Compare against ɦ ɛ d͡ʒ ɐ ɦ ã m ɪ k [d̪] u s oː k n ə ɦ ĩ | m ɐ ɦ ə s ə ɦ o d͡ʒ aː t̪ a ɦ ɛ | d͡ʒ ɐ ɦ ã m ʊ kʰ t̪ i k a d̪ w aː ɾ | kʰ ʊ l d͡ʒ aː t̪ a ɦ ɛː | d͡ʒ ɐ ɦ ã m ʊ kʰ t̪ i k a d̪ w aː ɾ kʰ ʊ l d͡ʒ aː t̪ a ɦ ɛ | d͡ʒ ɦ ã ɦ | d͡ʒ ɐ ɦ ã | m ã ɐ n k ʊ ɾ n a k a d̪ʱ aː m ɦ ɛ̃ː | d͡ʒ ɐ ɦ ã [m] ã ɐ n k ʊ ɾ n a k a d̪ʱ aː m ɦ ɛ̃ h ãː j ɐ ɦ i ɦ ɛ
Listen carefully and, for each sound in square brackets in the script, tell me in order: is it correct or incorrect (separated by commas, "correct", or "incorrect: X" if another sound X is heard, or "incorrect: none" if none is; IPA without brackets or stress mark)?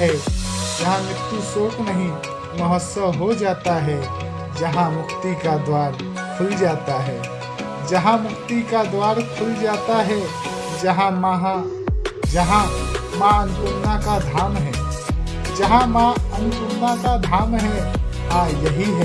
incorrect: t̪, correct